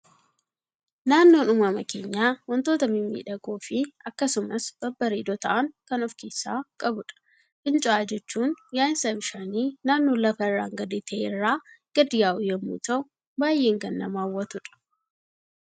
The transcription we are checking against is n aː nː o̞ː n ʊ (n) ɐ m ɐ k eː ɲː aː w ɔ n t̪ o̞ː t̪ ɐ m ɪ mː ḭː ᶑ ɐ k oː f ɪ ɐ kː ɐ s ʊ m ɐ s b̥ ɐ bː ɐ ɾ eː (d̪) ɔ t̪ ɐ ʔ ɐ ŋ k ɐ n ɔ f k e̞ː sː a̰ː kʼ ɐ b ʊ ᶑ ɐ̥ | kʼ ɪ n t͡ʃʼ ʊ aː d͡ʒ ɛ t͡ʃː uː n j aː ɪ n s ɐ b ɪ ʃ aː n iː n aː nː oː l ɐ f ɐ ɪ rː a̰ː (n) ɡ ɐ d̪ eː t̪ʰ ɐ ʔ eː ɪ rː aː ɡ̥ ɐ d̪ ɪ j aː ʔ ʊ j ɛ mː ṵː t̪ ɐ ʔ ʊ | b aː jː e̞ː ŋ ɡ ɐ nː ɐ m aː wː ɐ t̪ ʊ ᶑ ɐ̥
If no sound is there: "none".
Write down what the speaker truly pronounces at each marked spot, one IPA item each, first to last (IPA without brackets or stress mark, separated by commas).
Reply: m, d̪, ŋ